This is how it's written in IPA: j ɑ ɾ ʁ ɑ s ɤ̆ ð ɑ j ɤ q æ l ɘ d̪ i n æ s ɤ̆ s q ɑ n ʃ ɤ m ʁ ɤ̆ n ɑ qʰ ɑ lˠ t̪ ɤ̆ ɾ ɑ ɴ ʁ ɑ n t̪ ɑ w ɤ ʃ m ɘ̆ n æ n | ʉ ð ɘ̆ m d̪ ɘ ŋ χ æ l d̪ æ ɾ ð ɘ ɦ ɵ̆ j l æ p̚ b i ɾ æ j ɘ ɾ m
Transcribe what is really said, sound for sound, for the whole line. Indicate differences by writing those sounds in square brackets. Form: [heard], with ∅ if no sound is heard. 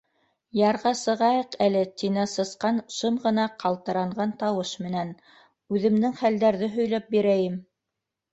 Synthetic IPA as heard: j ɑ ɾ ʁ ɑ s ɤ̆ [ʁ] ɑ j ɤ q æ l ɘ [t̪] i n æ s ɤ̆ s q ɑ n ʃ ɤ m ʁ ɤ̆ n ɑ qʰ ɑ lˠ t̪ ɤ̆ ɾ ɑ ɴ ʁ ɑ n t̪ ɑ w ɤ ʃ m ɘ̆ n æ n | ʉ ð ɘ̆ m d̪ ɘ ŋ χ æ l d̪ æ ɾ ð ɘ ɦ ɵ̆ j l æ p̚ b i ɾ æ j ɘ [∅] m

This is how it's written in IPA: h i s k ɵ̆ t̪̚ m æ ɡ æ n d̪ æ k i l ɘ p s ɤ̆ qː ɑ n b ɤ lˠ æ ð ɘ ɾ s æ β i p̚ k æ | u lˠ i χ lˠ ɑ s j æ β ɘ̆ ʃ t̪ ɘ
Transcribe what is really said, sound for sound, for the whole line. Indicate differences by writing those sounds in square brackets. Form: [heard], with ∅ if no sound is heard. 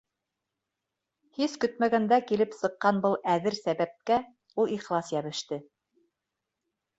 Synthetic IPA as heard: h i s k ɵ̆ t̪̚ m æ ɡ æ n d̪ æ k i l ɘ p s ɤ̆ qː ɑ n b ɤ lˠ æ ð ɘ ɾ s æ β [æ] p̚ k æ | u lˠ i χ lˠ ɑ s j æ β ɘ̆ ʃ t̪ ɘ

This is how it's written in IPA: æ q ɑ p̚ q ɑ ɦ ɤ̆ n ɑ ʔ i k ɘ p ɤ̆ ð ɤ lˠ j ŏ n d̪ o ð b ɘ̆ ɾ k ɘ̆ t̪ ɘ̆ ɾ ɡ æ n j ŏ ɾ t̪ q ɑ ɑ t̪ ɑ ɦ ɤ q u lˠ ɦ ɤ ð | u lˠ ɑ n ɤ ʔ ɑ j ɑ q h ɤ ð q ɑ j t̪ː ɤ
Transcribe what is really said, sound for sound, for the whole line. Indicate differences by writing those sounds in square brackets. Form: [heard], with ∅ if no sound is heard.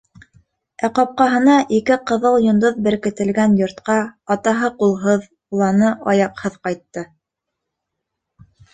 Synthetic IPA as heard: æ q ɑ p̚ q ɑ ɦ ɤ̆ n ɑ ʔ i k ɘ [q] ɤ̆ ð ɤ lˠ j ŏ n d̪ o ð b ɘ̆ ɾ k ɘ̆ t̪ ɘ̆ [l] ɡ æ n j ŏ ɾ t̪ q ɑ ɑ t̪ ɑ ɦ ɤ q u lˠ ɦ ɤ ð | u lˠ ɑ n ɤ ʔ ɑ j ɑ q h ɤ ð q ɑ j t̪ː ɤ

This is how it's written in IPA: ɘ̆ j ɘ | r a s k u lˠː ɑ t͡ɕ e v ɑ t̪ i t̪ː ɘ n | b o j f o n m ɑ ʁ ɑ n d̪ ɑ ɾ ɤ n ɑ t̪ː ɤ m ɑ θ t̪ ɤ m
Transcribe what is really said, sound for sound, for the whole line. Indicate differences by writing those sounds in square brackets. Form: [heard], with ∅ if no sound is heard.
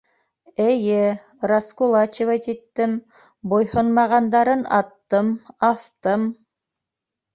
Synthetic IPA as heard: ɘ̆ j ɘ | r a s k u [lˠ] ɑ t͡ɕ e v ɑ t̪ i t̪ː ɘ [m] | b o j [h] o n m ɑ ʁ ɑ n d̪ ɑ ɾ ɤ n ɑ t̪ː ɤ m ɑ θ t̪ ɤ m

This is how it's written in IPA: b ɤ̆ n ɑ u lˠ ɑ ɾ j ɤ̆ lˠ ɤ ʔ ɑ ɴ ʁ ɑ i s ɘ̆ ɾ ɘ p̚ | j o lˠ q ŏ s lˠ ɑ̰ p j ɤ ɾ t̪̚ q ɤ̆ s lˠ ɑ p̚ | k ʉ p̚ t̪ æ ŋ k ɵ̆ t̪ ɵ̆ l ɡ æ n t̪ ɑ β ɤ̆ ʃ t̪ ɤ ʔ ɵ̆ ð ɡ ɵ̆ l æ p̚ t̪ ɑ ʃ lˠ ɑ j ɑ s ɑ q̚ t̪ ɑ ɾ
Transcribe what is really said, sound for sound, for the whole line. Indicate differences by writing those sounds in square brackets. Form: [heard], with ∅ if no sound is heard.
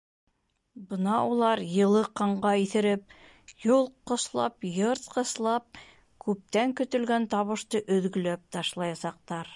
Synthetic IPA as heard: b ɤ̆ n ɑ u lˠ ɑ ɾ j ɤ̆ lˠ ɤ [q] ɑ ɴ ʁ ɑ i [θ] ɘ̆ ɾ ɘ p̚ | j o lˠ q ŏ s lˠ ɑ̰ p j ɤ ɾ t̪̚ q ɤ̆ s lˠ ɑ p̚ | k ʉ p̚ t̪ æ ŋ k ɵ̆ t̪ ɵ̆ l ɡ æ n t̪ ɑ β ɤ̆ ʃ t̪ ɤ ʔ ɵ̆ ð ɡ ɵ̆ l æ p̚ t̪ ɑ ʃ lˠ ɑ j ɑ s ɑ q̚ t̪ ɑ ɾ

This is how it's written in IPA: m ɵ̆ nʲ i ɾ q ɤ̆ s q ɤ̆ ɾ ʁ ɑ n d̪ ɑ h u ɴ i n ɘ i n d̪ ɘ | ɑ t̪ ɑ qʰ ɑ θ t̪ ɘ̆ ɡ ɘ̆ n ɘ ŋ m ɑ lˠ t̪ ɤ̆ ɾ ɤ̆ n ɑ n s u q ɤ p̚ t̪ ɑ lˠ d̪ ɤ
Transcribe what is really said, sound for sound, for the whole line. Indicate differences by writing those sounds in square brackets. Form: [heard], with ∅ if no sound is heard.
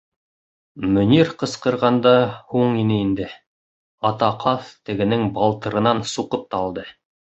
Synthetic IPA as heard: m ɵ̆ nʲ i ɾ q ɤ̆ s q ɤ̆ ɾ ʁ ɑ n d̪ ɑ h u ɴ i n ɘ i n d̪ ɘ | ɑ t̪ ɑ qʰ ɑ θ t̪ ɘ̆ ɡ ɘ̆ n ɘ ŋ [b] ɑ lˠ t̪ ɤ̆ ɾ ɤ̆ n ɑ n s u q ɤ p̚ t̪ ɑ lˠ d̪ ɤ

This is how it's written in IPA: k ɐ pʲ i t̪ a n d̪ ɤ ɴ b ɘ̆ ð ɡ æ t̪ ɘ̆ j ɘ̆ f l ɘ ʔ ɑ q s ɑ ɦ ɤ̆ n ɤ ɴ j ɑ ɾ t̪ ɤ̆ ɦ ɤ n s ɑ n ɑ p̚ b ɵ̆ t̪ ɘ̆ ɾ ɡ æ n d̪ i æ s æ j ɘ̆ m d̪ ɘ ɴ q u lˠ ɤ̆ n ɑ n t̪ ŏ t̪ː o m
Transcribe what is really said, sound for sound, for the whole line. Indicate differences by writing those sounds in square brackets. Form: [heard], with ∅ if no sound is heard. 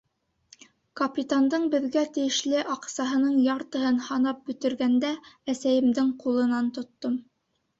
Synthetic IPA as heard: k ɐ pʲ i t̪ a n d̪ ɤ ɴ b ɘ̆ ð ɡ æ t̪ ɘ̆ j ɘ̆ [ʃ] l ɘ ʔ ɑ q s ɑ ɦ ɤ̆ n ɤ ɴ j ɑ ɾ t̪ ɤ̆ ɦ ɤ n [h] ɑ n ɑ p̚ b ɵ̆ t̪ ɘ̆ ɾ ɡ æ n d̪ [æ] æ s æ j ɘ̆ m d̪ ɘ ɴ q u lˠ ɤ̆ n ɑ n t̪ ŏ t̪ː o m

